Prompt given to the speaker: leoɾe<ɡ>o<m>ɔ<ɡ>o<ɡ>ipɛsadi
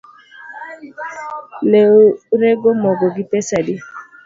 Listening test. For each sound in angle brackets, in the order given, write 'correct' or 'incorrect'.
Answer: correct, correct, correct, correct

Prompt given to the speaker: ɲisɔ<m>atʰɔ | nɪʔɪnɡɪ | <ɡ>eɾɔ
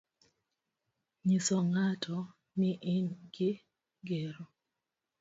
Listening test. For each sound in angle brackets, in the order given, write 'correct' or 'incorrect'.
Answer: incorrect: ŋ, correct

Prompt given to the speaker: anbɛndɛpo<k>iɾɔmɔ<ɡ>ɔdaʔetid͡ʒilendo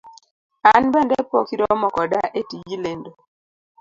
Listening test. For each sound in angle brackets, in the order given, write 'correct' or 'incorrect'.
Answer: correct, incorrect: k

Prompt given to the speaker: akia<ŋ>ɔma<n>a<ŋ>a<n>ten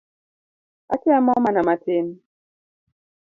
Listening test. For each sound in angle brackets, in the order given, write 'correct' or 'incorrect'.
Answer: incorrect: m, correct, incorrect: m, incorrect: none

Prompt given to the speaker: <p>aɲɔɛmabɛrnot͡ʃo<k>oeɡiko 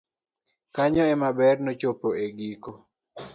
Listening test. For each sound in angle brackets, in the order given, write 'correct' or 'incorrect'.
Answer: incorrect: k, incorrect: p

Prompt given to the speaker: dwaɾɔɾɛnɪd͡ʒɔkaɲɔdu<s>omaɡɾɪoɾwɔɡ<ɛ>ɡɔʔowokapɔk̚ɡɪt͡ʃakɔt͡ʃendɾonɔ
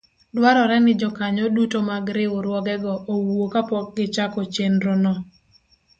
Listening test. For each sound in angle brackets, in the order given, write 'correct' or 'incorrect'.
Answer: incorrect: t, correct

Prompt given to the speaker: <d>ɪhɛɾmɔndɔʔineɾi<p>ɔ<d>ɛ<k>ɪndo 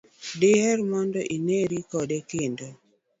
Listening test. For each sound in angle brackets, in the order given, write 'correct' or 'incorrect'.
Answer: correct, incorrect: k, correct, correct

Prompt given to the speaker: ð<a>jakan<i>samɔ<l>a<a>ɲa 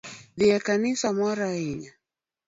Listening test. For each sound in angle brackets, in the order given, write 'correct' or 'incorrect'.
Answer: incorrect: i, correct, incorrect: ɾ, incorrect: i

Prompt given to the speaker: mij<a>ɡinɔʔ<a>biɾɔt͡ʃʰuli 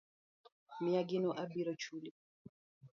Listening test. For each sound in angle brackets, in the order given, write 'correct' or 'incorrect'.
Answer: correct, correct

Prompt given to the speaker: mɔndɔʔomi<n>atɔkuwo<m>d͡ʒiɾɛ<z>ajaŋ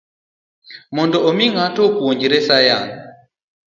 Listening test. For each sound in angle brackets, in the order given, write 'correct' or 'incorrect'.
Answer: incorrect: ŋ, incorrect: ɲ, incorrect: s

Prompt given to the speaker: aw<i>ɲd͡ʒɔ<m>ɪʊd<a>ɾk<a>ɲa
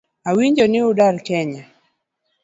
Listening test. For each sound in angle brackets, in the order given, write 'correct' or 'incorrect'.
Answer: correct, incorrect: n, correct, incorrect: ɛ

